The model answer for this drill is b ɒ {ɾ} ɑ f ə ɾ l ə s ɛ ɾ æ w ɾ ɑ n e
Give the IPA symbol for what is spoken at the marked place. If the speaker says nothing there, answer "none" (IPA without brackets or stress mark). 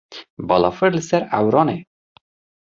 l